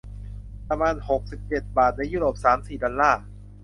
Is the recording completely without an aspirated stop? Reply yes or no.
yes